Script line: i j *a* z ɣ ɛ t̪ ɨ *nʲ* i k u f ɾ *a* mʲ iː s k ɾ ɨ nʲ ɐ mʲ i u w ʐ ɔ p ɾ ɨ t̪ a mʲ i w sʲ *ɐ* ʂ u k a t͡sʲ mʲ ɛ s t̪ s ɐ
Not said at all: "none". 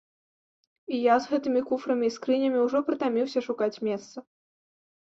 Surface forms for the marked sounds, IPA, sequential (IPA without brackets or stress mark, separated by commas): a, mʲ, ɐ, ɐ